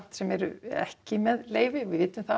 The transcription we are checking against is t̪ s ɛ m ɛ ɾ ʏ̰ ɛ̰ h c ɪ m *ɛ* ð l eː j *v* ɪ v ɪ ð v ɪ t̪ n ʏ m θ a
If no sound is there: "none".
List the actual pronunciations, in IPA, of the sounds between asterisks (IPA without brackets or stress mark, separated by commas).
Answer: ɛ, v